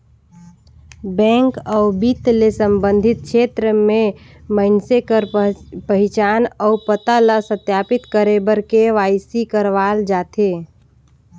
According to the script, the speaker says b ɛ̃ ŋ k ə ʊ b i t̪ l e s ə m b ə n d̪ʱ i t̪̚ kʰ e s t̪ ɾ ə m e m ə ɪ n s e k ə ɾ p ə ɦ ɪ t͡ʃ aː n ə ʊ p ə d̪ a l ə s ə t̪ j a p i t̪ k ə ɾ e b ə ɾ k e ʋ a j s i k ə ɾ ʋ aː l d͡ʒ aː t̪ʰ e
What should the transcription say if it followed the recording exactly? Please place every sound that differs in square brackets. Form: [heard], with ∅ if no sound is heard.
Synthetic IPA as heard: b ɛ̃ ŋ k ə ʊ b i t̪ l e s ə m b ə n d̪ʱ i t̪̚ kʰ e [∅] t̪ ɾ ə m e m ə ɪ n s e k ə ɾ p ə ɦ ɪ t͡ʃ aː n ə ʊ p ə [t̪] a l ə s ə t̪ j a p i t̪ k ə ɾ e b ə ɾ k e ʋ a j s i k ə ɾ ʋ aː l d͡ʒ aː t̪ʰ e